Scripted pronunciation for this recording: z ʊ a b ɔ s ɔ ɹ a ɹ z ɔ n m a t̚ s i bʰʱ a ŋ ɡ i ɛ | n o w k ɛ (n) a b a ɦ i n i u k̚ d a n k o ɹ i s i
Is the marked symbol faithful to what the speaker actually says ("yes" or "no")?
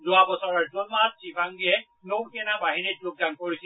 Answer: yes